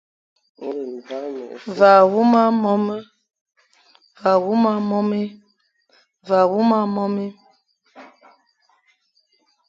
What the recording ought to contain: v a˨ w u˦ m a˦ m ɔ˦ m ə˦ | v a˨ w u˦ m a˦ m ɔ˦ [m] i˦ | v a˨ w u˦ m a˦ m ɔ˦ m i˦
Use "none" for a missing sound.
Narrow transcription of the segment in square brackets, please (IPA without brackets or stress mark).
m